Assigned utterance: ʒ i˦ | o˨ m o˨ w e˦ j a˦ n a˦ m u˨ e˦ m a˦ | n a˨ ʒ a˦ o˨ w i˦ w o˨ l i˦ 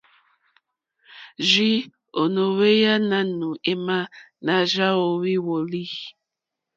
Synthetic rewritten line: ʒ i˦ | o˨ n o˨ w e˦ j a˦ n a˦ n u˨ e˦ m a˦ | n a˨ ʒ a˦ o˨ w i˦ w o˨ l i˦